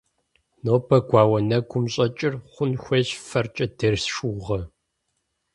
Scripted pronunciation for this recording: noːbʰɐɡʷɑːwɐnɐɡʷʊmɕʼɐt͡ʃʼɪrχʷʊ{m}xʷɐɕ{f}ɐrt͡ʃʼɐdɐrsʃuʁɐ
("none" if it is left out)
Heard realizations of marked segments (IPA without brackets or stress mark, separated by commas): n, f